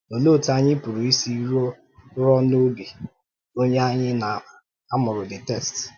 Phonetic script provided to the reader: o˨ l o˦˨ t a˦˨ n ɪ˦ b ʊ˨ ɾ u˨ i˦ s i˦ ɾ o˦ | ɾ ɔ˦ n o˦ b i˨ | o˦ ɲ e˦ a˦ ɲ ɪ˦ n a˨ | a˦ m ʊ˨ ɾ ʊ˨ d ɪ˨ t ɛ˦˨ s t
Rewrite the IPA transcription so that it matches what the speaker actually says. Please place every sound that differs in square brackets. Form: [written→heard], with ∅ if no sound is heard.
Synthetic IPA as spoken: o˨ l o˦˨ t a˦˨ [n→ɲ] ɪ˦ [b→p] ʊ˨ ɾ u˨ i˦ s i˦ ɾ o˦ | ɾ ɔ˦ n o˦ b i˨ | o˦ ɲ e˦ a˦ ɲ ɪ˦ n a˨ | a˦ m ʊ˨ ɾ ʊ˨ d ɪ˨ t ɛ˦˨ s t